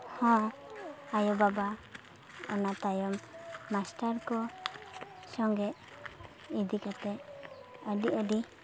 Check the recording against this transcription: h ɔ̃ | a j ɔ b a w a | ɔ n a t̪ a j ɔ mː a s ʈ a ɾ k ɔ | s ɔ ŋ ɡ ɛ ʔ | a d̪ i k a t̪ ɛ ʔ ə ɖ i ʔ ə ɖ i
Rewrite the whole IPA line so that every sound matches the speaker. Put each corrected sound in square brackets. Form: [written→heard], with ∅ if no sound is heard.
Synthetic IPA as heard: h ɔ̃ | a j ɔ b a [w→b] a | ɔ n a t̪ a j ɔ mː a s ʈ a ɾ k ɔ | s ɔ ŋ ɡ ɛ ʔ | [a→i] d̪ i k a t̪ ɛ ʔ ə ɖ i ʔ ə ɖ i